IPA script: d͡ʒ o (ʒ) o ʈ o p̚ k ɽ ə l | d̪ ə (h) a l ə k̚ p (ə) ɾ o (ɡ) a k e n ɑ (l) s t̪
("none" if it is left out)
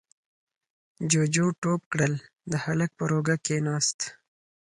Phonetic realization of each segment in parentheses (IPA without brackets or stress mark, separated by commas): d͡ʒ, h, ə, ɡ, none